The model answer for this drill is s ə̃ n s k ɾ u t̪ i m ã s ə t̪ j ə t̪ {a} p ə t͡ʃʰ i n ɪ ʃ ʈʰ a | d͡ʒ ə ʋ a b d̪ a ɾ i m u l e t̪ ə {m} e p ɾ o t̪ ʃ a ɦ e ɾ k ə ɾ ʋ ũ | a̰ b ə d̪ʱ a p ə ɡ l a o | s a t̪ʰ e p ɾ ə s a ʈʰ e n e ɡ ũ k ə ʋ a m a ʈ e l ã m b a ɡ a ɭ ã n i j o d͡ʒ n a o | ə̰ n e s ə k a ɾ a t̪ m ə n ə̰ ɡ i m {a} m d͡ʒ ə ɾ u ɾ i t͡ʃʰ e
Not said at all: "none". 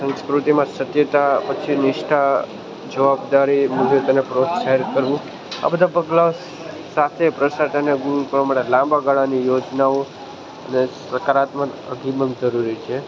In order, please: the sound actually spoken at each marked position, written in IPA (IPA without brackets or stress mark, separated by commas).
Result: a, n, ə